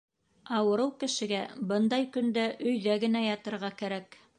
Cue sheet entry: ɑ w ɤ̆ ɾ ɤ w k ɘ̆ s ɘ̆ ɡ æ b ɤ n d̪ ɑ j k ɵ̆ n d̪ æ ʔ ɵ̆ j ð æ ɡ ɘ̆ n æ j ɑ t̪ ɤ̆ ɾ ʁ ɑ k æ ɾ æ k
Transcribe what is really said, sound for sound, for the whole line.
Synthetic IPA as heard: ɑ w ɤ̆ ɾ ɤ w k ɘ̆ ʃ ɘ̆ ɡ æ b ɤ n d̪ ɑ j k ɵ̆ n d̪ æ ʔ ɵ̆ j ð æ ɡ ɘ̆ n æ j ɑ t̪ ɤ̆ ɾ ʁ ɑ k æ ɾ æ k